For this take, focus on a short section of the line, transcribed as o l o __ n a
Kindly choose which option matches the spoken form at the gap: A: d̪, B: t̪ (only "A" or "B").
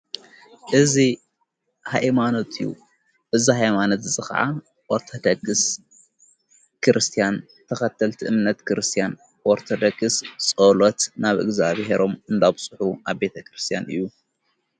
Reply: B